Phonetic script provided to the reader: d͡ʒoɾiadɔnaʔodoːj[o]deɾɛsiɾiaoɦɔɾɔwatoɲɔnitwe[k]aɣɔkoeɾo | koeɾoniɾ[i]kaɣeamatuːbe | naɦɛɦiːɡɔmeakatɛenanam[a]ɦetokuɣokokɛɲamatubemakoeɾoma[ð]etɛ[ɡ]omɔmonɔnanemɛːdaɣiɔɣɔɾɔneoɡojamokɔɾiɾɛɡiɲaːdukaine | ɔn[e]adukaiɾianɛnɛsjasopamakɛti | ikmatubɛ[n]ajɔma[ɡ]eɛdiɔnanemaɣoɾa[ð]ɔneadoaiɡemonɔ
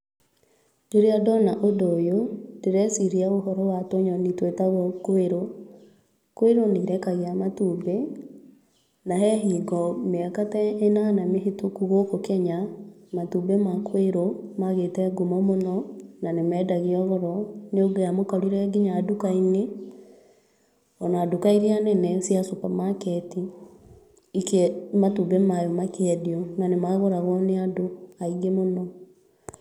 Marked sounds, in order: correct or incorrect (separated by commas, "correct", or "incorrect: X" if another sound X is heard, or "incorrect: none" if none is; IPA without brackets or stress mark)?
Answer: correct, incorrect: t, incorrect: ɛ, incorrect: e, incorrect: ɣ, correct, incorrect: a, incorrect: m, incorrect: k, incorrect: ɣ